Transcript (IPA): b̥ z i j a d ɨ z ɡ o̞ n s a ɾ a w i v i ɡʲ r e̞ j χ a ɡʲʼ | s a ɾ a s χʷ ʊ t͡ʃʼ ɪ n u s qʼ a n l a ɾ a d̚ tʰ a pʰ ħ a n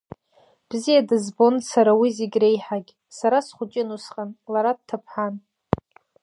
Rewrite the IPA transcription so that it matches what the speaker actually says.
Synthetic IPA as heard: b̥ z i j a d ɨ z b o̞ n s a ɾ a w i z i ɡʲ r e̞ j ħ a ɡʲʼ | s a ɾ a s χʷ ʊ t͡ʃʼ ɪ n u s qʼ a n l a ɾ a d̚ tʰ a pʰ ħ a n